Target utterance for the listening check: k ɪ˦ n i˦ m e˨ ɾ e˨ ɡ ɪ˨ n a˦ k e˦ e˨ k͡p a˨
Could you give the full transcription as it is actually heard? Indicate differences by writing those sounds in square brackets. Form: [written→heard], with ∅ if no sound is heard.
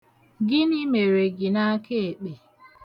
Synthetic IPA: [k→ɡ] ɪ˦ n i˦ m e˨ ɾ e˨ ɡ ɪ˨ n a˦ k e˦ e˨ k͡p [a˨→e˨]